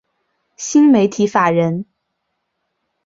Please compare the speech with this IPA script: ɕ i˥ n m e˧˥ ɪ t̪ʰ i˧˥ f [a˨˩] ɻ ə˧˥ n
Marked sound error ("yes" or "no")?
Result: no